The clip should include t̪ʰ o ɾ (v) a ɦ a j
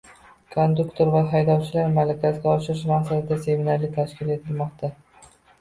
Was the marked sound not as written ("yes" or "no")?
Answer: no